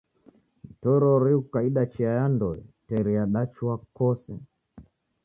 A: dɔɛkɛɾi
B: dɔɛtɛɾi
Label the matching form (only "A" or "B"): B